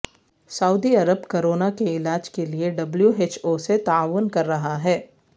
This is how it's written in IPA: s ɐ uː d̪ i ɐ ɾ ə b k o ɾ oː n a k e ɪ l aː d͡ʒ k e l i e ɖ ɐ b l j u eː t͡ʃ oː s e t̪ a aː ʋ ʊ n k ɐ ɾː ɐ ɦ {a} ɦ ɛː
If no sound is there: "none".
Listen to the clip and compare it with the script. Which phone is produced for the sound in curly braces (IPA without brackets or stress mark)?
a